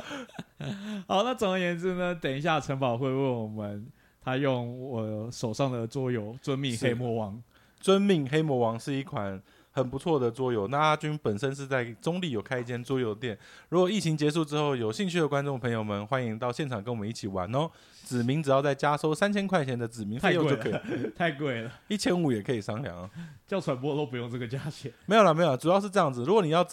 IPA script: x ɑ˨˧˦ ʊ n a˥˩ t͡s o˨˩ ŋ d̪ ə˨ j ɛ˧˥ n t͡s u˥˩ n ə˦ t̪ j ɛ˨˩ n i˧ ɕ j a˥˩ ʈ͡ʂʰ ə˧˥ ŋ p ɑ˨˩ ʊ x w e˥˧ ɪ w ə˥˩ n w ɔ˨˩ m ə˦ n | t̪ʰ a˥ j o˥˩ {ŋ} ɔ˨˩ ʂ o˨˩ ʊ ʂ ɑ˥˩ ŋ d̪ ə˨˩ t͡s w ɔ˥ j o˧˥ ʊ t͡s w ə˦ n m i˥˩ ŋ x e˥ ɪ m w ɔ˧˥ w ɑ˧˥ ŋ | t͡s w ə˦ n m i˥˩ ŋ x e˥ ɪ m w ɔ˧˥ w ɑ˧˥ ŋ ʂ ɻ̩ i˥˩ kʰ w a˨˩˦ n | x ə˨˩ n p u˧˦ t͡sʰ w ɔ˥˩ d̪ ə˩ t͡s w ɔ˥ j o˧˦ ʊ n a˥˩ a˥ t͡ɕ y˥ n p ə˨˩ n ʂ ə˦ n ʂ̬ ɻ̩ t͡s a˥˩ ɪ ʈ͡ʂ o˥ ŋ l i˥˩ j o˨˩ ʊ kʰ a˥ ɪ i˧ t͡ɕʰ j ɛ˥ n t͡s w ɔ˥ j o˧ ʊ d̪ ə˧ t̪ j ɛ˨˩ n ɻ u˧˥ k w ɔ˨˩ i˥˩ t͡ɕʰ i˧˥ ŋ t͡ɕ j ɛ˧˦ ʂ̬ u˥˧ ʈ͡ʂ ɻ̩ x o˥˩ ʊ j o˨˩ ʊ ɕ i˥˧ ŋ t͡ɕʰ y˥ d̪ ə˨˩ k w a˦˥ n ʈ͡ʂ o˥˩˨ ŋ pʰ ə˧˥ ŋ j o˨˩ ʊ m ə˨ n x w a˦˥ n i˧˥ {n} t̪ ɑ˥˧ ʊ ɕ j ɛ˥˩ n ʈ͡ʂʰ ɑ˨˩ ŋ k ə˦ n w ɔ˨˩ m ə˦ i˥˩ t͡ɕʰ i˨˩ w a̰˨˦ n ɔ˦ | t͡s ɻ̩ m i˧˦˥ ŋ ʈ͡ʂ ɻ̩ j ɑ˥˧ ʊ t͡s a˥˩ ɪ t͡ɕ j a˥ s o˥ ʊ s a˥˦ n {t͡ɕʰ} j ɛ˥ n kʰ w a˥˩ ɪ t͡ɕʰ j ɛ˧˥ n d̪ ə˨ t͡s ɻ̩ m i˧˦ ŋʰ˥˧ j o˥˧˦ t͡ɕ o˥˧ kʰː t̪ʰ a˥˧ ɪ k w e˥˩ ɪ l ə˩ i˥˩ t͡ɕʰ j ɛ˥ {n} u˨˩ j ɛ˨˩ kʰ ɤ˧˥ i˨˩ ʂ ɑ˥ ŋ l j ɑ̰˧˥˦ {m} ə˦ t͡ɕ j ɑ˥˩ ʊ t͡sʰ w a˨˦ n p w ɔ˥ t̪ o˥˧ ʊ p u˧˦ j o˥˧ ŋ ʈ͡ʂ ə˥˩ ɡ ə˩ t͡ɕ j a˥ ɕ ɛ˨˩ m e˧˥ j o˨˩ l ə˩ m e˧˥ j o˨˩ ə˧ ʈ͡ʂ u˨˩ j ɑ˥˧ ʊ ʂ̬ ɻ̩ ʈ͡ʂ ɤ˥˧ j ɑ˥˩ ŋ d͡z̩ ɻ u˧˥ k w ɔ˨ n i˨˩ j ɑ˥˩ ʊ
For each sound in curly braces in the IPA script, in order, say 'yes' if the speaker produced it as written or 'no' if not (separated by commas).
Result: yes, no, yes, yes, no